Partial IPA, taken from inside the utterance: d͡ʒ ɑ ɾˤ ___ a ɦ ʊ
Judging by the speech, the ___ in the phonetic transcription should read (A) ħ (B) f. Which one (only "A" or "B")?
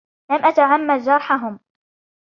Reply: A